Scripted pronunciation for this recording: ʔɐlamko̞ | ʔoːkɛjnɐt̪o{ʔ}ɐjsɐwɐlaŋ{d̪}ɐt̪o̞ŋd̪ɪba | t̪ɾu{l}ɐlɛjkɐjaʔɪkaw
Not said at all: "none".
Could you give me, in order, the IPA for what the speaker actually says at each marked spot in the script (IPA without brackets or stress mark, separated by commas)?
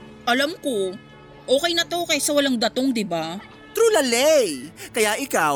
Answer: k, d̪, l